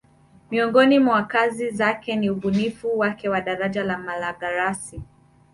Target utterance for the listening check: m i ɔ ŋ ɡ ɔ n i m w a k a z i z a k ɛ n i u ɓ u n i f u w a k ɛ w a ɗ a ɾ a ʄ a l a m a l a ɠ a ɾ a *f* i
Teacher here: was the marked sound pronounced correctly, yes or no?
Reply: no